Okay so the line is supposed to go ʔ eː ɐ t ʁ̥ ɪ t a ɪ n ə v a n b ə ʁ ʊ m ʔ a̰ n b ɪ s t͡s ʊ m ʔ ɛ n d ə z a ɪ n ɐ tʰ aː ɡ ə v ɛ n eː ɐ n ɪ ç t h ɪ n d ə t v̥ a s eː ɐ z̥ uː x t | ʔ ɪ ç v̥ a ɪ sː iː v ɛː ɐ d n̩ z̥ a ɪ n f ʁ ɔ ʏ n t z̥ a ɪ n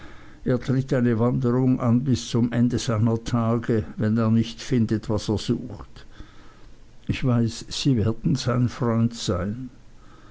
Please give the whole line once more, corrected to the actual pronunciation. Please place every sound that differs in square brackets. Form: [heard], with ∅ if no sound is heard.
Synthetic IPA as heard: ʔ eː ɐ t ʁ̥ ɪ t a ɪ n ə v a n [d] ə ʁ ʊ [ŋ] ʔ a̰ n b ɪ s t͡s ʊ m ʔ ɛ n d ə z a ɪ n ɐ tʰ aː ɡ ə v ɛ n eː ɐ n ɪ ç t [f] ɪ n d ə t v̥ a s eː ɐ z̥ uː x t | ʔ ɪ ç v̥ a ɪ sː iː v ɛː ɐ d n̩ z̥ a ɪ n f ʁ ɔ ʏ n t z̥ a ɪ n